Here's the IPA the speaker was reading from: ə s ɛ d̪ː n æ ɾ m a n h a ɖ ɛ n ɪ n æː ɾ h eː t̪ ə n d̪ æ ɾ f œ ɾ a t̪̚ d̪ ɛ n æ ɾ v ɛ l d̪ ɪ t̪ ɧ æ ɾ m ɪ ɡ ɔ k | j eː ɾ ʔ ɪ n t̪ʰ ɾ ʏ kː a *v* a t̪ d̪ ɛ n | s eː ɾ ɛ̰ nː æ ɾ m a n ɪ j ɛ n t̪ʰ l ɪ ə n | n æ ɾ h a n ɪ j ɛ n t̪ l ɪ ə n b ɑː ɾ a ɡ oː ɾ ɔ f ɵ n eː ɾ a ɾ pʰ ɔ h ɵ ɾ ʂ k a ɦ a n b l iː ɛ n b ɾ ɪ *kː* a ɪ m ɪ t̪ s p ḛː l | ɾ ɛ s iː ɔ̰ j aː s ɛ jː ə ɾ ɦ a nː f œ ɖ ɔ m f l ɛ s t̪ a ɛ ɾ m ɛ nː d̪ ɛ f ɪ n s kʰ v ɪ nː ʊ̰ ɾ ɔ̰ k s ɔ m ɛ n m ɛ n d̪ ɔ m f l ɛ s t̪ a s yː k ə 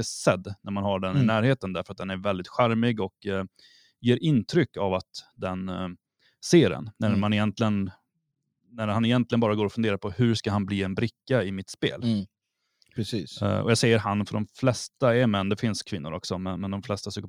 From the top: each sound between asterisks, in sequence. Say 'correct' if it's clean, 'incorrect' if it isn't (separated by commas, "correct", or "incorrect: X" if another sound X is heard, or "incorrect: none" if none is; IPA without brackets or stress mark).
correct, correct